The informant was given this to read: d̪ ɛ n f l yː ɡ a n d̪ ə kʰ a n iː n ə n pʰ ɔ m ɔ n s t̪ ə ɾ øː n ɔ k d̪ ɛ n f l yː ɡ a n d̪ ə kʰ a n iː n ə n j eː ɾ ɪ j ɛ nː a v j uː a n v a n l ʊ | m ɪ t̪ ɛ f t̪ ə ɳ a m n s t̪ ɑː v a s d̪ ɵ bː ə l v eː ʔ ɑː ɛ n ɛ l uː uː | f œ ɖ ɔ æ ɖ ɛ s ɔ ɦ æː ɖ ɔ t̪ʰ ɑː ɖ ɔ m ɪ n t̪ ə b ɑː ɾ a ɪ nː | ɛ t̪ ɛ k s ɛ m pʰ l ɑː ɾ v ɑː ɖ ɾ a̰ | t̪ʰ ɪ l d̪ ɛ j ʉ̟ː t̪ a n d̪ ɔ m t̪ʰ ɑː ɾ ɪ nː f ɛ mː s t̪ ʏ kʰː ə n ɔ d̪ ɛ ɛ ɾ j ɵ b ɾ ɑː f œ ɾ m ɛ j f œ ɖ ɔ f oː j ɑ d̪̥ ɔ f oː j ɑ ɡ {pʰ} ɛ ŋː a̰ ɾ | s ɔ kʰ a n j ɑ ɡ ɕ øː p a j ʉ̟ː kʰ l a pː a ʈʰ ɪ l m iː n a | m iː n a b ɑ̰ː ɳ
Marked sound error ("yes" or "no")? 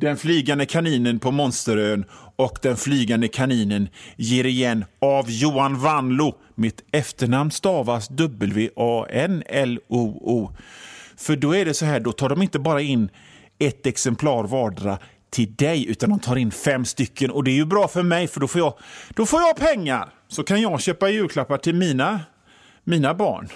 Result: no